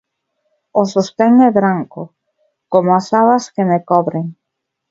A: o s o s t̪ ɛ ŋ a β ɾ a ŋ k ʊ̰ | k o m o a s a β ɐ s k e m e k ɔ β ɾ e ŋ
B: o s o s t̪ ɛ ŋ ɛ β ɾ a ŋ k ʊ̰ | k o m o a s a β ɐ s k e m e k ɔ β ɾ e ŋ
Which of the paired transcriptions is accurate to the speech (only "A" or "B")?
B